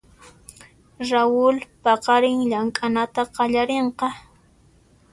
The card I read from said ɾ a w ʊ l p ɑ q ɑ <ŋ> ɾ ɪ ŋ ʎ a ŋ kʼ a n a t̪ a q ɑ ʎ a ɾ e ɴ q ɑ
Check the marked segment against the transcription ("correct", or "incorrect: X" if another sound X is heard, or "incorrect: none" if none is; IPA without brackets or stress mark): incorrect: none